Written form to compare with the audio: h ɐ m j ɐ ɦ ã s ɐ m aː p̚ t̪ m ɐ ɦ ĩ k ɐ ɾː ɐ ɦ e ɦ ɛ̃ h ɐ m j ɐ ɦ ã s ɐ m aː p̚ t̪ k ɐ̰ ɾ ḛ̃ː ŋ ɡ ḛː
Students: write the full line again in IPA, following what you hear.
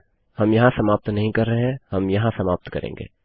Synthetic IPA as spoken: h ɐ m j ɐ ɦ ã s ɐ m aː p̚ t̪ n ɐ ɦ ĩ k ɐ ɾː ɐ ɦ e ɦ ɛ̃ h ɐ m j ɐ ɦ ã s ɐ m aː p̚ t̪ k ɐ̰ ɾ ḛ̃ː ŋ ɡ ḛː